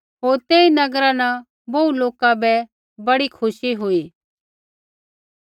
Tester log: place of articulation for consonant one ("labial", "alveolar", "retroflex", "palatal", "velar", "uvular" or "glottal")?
glottal